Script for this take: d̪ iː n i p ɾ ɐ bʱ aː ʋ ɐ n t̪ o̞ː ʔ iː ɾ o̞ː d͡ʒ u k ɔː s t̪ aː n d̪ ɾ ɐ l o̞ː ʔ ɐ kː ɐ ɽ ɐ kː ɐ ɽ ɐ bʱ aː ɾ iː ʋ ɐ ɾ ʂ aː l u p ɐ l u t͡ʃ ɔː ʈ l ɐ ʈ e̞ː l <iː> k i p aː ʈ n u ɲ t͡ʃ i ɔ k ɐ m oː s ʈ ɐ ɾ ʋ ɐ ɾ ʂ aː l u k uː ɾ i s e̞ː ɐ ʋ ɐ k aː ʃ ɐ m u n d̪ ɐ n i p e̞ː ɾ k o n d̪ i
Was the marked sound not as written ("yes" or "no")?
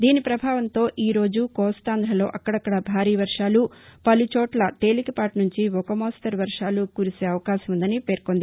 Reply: yes